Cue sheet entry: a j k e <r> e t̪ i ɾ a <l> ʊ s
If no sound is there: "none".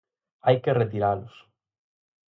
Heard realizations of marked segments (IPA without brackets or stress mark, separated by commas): r, l